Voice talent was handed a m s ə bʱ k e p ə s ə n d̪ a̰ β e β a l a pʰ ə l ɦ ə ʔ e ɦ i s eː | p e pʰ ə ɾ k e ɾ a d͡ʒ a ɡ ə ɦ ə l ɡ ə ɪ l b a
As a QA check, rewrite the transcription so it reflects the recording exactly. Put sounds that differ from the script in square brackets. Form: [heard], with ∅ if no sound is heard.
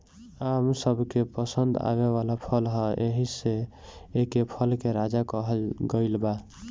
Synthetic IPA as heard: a m s ə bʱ k e p ə s ə n d̪ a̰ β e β a l a pʰ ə l ɦ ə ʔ e ɦ i s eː | [k] e pʰ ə [l] k e ɾ a d͡ʒ a [k] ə ɦ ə l ɡ ə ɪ l b a